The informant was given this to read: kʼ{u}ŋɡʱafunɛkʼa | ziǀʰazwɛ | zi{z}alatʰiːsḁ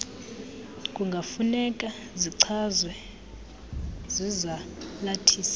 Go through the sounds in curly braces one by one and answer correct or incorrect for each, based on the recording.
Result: correct, correct

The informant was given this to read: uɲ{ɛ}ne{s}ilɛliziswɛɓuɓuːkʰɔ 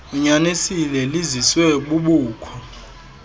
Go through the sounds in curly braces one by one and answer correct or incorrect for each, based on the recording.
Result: incorrect: a, correct

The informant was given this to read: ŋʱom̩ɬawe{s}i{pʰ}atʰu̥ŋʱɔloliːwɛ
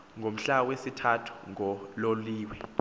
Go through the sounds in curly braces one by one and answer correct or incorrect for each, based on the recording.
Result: correct, incorrect: tʰ

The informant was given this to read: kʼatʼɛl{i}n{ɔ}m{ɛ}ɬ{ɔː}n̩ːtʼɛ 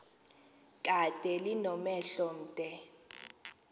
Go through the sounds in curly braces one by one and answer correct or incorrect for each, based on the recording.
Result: correct, correct, correct, incorrect: ɔ

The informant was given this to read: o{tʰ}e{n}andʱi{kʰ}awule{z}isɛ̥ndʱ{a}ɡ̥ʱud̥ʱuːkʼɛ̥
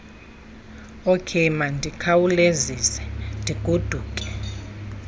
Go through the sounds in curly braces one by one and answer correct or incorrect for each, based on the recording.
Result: incorrect: kʰ, incorrect: m, correct, correct, incorrect: i

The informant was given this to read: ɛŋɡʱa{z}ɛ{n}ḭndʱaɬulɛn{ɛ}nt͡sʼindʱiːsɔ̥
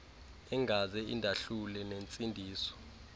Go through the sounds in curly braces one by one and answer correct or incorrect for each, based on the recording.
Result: correct, incorrect: none, incorrect: e

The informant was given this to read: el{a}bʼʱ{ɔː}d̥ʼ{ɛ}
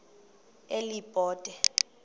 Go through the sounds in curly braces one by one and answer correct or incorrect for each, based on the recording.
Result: incorrect: i, correct, correct

